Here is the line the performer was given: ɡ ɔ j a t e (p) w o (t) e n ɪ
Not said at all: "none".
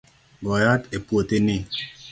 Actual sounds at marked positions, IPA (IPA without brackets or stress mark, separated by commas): p, t